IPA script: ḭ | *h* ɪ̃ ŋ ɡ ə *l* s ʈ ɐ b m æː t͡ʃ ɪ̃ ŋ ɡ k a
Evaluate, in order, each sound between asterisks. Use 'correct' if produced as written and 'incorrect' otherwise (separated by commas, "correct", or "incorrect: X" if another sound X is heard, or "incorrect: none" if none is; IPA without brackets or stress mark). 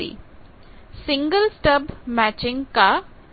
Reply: incorrect: s, correct